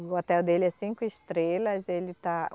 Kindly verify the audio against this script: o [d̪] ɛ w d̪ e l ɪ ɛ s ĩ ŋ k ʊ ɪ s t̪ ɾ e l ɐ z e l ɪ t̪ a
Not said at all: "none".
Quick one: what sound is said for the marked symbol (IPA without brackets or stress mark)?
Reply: t̪